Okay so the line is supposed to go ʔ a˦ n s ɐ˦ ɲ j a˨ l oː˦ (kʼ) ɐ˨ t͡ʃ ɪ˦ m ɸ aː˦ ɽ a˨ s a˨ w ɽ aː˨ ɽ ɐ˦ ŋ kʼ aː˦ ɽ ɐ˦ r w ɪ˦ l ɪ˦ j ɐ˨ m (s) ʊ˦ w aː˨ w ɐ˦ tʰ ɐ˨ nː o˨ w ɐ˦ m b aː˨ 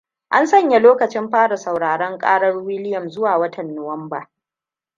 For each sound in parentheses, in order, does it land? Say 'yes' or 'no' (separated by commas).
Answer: no, no